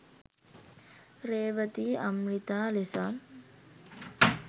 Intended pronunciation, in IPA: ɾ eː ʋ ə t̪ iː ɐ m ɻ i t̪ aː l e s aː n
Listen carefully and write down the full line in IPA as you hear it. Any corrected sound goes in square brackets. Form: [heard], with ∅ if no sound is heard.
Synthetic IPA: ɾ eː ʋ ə t̪ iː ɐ m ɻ i t̪ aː l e s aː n